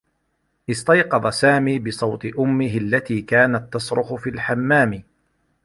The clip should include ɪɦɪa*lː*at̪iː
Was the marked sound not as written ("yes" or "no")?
no